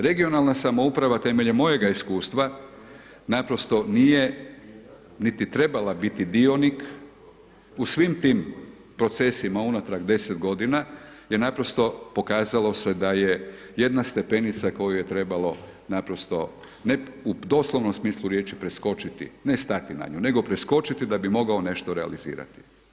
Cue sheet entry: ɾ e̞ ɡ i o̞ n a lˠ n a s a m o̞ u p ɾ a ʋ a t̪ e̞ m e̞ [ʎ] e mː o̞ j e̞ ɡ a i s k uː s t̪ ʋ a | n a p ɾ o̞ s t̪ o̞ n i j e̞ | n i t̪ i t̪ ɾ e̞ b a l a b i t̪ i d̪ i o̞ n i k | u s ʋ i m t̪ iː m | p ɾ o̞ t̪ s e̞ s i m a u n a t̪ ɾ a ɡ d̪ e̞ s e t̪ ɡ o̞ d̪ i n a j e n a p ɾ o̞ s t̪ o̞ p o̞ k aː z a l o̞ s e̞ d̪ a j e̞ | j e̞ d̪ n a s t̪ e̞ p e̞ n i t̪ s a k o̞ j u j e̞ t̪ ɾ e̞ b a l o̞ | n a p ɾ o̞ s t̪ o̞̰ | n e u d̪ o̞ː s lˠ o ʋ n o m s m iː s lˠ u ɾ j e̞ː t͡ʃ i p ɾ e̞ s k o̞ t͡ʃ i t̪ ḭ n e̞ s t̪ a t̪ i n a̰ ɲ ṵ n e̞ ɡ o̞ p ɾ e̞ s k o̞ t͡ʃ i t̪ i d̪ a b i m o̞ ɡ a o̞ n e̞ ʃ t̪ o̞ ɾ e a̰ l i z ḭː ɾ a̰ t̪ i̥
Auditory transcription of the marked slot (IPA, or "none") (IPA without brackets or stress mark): ʎ